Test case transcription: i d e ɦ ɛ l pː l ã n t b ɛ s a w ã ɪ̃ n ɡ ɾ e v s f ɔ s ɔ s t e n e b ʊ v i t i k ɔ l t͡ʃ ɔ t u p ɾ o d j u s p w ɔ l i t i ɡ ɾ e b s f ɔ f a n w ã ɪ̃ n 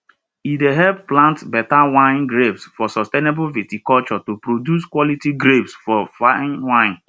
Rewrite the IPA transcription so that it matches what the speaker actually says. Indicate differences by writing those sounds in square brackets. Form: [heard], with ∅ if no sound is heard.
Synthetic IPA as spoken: i d e ɦ ɛ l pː l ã n t b ɛ [t] a w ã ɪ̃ n ɡ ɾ e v s f ɔ s ɔ s t e n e b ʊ v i t i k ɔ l t͡ʃ ɔ t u p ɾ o d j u s [k] w ɔ l i t i ɡ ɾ e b s f ɔ f a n w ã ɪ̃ n